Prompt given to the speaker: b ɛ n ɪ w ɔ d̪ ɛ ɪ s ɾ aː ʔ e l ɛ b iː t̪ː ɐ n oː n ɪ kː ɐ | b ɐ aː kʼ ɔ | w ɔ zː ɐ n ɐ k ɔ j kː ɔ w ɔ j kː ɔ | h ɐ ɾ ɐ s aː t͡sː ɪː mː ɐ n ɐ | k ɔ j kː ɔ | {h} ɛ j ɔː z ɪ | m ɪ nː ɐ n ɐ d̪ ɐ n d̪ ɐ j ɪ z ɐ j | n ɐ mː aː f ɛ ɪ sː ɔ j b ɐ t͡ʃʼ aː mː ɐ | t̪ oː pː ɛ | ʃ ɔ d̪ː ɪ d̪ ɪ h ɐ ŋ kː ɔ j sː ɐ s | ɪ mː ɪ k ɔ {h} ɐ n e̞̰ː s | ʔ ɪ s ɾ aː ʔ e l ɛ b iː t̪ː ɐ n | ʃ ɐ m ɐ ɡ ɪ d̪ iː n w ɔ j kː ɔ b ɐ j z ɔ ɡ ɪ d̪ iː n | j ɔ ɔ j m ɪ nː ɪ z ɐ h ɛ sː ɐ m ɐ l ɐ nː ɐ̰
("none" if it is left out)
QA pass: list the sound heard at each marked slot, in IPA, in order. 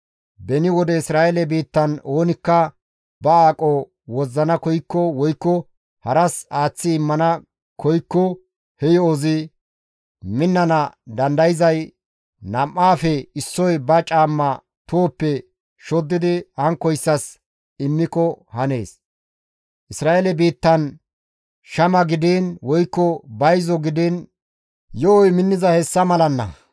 h, h

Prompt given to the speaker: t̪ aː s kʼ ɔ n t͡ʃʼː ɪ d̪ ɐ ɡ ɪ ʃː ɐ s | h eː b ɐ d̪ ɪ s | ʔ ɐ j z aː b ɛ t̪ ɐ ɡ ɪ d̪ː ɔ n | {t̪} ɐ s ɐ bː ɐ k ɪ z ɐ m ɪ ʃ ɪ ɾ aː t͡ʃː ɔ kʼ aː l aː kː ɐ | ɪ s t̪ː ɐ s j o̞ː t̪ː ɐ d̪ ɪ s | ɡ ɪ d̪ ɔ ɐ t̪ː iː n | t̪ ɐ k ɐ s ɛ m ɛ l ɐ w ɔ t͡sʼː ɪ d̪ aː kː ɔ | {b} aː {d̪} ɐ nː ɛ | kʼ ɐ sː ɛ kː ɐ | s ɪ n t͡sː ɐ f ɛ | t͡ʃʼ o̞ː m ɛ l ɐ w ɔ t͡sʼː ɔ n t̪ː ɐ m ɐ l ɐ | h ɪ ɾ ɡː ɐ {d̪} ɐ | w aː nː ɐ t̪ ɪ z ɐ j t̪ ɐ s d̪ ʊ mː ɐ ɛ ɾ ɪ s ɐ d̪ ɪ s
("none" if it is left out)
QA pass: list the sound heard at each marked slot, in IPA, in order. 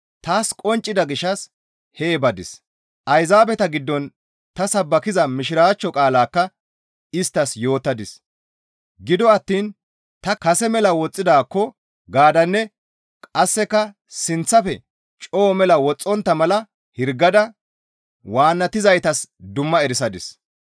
t̪, ɡ, d̪, d̪

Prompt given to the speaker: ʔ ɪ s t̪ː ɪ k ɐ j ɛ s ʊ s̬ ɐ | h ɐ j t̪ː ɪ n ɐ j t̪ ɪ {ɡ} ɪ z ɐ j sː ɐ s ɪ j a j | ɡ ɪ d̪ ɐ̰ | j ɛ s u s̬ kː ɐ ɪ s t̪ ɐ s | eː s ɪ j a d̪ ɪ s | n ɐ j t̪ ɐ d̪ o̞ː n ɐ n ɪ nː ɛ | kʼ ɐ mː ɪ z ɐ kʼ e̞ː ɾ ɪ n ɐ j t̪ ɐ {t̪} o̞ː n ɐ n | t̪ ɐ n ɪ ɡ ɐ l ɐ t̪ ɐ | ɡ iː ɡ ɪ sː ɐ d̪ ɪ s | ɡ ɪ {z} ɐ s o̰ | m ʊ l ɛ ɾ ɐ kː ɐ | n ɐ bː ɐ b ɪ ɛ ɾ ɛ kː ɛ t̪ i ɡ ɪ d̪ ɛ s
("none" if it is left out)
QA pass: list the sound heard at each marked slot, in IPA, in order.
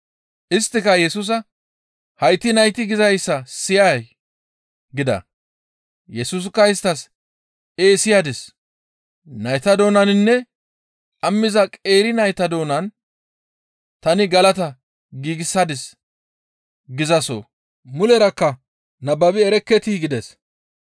ɡ, d̪, z

